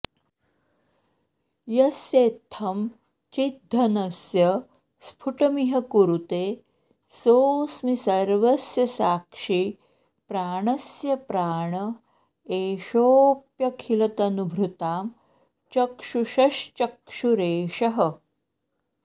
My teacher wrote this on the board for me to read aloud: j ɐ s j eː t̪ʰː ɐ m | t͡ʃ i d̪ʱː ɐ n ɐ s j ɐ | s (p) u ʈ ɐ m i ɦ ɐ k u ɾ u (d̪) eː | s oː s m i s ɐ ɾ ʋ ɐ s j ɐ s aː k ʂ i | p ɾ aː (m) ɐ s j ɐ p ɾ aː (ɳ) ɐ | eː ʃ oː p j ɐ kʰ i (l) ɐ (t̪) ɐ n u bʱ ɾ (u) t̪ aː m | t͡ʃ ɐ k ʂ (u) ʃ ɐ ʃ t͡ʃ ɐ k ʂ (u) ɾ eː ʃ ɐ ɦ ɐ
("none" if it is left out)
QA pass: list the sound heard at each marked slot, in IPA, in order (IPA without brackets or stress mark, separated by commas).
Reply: pʰ, t̪, ɳ, ɳ, l, t̪, u, u, u